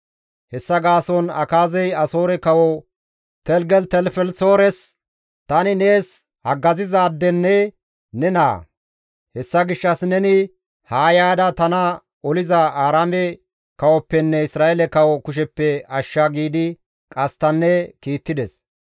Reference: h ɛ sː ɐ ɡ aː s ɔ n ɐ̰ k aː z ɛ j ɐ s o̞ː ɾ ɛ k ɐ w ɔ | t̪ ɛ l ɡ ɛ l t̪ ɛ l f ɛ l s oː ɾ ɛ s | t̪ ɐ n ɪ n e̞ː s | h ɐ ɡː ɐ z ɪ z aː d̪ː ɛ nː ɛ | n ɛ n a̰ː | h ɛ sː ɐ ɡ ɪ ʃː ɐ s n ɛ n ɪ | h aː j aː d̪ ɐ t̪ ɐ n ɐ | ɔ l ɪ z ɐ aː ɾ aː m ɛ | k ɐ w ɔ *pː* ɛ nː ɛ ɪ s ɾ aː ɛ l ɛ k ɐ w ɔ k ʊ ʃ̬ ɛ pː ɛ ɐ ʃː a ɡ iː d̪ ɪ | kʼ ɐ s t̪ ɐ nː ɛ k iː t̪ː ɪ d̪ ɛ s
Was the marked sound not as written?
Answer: no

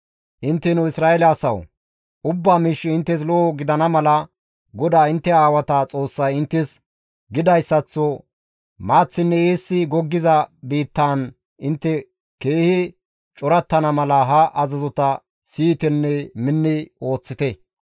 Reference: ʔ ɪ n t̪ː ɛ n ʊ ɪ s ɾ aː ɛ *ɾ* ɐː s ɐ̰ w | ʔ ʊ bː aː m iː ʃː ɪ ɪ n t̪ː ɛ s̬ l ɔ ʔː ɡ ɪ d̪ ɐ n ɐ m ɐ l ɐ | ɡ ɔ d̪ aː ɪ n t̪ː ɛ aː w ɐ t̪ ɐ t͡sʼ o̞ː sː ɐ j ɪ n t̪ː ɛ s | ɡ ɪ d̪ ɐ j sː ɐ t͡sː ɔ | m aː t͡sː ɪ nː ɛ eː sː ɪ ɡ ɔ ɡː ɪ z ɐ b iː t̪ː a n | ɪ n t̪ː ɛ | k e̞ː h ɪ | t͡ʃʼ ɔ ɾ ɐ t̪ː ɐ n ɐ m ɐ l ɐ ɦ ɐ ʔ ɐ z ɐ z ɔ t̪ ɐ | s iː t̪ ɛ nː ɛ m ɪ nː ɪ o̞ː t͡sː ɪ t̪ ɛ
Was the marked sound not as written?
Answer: yes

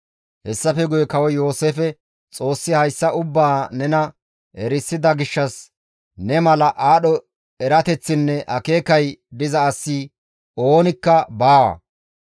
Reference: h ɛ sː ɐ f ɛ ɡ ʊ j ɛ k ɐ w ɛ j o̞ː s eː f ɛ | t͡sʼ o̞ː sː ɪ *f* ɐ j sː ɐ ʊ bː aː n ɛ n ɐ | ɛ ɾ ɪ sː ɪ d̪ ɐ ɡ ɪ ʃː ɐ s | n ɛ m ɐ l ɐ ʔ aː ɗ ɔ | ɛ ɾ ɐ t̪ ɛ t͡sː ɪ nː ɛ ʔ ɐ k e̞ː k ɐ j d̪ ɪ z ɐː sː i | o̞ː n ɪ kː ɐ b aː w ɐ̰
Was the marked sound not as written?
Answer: yes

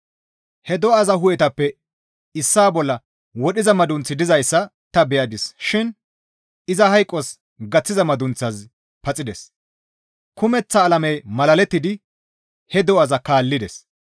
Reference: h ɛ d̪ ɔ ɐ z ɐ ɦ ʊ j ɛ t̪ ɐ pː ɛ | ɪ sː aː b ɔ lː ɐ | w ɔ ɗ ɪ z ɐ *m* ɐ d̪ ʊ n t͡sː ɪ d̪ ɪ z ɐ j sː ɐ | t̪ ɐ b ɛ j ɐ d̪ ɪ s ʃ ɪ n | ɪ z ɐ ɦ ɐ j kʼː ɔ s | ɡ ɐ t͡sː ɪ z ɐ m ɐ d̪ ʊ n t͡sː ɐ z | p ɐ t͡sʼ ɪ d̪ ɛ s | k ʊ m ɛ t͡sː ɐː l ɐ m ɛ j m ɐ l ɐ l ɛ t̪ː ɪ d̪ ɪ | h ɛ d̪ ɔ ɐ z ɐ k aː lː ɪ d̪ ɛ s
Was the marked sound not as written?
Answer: no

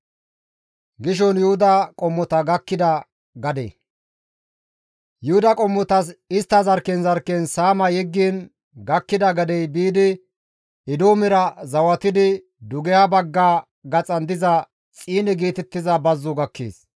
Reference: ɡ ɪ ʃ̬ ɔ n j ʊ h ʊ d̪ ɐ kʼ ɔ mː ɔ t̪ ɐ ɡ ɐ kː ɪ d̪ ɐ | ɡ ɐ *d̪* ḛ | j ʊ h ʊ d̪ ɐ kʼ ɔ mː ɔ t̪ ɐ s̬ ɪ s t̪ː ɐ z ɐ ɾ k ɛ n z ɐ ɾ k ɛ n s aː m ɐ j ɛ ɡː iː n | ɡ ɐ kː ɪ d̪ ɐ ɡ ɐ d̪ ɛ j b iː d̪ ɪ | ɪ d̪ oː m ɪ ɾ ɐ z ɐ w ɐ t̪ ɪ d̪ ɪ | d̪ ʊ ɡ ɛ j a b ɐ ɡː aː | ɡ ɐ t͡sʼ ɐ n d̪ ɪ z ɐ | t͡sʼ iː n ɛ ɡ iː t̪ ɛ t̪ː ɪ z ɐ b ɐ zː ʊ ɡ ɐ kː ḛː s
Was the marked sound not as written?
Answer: no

